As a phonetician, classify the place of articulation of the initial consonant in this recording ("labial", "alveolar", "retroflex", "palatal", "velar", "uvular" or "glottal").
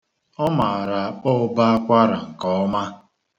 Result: labial